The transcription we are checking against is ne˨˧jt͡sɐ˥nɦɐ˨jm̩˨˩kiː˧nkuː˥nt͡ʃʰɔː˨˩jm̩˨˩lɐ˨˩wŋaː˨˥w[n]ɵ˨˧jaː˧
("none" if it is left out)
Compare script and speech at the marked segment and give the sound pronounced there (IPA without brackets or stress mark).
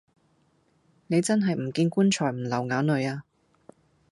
n